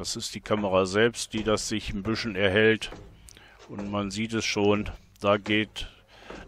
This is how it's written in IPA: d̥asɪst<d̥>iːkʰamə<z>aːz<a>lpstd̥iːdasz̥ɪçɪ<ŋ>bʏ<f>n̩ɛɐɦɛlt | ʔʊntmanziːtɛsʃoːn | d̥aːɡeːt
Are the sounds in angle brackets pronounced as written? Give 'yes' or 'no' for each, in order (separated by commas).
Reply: yes, no, no, no, no